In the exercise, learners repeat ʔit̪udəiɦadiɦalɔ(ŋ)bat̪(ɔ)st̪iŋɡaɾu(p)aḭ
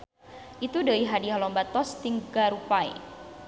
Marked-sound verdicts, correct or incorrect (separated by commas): incorrect, correct, correct